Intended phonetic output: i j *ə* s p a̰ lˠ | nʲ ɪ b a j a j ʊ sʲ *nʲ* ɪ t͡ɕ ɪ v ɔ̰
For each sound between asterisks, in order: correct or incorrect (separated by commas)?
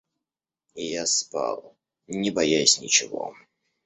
incorrect, correct